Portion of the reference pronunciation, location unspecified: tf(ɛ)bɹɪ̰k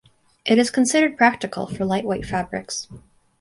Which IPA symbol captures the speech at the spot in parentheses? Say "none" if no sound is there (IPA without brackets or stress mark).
æ